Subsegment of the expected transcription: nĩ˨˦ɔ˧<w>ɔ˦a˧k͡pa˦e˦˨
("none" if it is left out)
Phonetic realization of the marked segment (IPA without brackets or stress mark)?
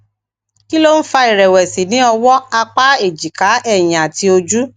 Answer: w